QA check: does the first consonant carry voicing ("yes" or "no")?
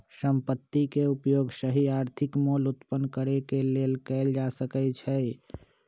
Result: no